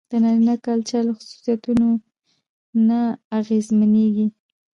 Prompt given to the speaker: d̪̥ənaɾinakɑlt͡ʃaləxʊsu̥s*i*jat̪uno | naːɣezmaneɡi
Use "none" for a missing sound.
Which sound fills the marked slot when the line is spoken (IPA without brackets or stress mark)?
i